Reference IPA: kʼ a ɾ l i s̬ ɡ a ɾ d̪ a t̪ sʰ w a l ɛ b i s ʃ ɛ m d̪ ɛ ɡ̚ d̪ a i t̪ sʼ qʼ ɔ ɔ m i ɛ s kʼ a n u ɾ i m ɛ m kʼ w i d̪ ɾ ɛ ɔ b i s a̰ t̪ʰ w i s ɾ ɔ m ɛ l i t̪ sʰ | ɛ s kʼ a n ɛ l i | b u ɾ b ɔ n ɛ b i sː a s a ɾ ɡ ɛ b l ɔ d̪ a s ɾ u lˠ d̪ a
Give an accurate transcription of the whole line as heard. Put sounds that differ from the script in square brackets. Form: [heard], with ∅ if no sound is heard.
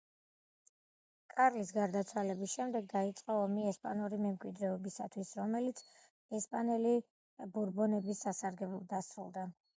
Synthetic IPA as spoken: kʼ a ɾ l i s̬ ɡ a ɾ d̪ a t̪ sʰ w a l ɛ b i s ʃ ɛ m d̪ ɛ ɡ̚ d̪ a i t̪ sʼ qʼ ɔ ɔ m i ɛ s [pʼ] a n u ɾ i m ɛ m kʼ w i d̪ ɾ ɛ ɔ b i s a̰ t̪ʰ w i s ɾ ɔ m ɛ l i t̪ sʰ | ɛ s [pʼ] a n ɛ l i | b u ɾ b ɔ n ɛ b i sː a s a ɾ ɡ ɛ b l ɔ d̪ a s ɾ u lˠ d̪ a